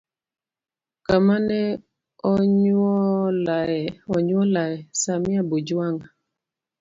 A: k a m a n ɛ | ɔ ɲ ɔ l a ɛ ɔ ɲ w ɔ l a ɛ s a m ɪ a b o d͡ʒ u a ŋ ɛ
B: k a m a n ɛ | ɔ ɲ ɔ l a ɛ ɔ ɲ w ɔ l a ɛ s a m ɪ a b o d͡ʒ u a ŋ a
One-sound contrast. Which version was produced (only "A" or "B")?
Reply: B